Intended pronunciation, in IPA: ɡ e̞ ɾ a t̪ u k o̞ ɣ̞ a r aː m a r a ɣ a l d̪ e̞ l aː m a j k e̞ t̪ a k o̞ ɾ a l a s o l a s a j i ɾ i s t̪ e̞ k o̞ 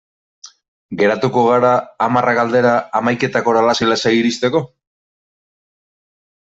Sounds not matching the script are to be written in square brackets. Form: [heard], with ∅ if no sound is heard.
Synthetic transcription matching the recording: ɡ e̞ ɾ a t̪ u k o̞ ɣ̞ a [ɾ] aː m a r a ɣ a l d̪ e̞ [ɾ] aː m a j k e̞ t̪ a k o̞ ɾ a l a s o l a s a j i ɾ i s t̪ e̞ k o̞